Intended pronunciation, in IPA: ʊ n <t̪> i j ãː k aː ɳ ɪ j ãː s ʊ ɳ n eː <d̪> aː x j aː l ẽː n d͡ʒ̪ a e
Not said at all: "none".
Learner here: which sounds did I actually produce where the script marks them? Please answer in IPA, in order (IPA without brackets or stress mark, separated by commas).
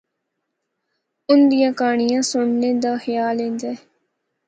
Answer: d̪, d̪